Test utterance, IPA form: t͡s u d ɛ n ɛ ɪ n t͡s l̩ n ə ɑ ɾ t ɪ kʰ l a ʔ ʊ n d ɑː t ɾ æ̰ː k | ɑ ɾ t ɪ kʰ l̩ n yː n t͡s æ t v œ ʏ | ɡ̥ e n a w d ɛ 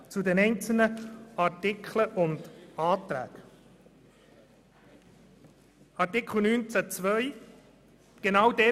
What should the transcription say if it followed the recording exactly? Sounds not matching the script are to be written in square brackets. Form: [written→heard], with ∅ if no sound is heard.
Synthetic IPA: t͡s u d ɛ n ɛ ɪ n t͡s l̩ n ə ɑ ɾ t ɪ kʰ l [a→ə] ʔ ʊ n d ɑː t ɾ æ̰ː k | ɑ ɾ t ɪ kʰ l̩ n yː n t͡s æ [t→t͡s] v œ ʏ | ɡ̥ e n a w d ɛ